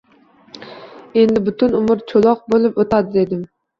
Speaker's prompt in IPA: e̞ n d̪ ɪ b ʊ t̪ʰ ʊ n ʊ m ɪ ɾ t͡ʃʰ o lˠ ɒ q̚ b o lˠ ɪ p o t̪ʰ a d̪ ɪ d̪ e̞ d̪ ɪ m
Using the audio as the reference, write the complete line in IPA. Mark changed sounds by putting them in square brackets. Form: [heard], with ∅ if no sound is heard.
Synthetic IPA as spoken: e̞ n d̪ ɪ b ʊ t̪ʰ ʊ n ʊ m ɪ ɾ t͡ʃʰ o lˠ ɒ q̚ b o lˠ ɪ p o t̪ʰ a d̪ ɪ d̪ e̞ d̪ ɪ m